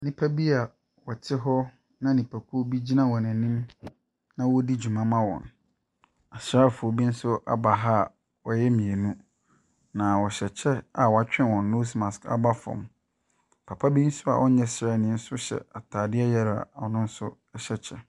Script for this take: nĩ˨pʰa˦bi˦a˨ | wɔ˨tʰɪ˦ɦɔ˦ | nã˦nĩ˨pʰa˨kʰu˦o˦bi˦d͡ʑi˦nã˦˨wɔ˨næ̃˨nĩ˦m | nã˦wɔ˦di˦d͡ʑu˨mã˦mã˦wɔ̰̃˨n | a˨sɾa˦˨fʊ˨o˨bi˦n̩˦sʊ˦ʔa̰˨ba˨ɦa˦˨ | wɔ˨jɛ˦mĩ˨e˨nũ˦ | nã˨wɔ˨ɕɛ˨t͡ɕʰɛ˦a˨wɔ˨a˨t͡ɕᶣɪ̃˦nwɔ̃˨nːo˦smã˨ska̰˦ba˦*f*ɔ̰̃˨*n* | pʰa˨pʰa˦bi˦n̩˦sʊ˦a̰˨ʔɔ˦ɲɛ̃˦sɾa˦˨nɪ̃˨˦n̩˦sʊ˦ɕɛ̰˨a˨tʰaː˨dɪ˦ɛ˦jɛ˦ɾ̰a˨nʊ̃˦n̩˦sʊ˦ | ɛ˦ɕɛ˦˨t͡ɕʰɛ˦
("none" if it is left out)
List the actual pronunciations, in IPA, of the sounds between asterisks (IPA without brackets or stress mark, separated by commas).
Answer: f, m